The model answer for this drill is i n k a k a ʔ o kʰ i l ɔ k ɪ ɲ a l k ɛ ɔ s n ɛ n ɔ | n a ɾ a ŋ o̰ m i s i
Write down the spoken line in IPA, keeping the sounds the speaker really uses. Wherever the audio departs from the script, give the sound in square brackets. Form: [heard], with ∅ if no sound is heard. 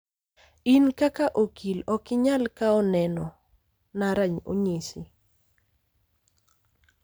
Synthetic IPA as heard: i n k a k a ʔ o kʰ i l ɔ k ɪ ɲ a l k [a] ɔ [∅] n ɛ n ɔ | n a ɾ a [ɲ] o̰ [ɲ] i s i